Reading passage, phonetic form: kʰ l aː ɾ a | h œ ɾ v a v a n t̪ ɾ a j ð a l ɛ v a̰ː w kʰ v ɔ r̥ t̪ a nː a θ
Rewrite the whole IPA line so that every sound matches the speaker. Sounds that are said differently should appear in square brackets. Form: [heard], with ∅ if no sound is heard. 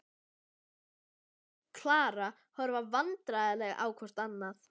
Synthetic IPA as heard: kʰ l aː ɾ a | h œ ɾ v a v a n t̪ ɾ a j ð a l ɛ [ɣ] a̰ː w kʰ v ɔ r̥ t̪ a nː a θ